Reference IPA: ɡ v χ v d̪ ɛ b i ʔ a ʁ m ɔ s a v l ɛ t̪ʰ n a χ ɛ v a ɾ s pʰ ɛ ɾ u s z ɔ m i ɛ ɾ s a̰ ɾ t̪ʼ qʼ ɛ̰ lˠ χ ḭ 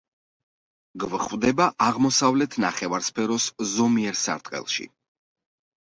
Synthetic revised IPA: ɡ v χ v d̪ ɛ b a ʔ a ʁ m ɔ s a v l ɛ t̪ʰ n a χ ɛ v a ɾ s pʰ ɛ ɾ ɔ s z ɔ m i ɛ ɾ s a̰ ɾ t̪ʼ qʼ ɛ̰ lˠ ʃ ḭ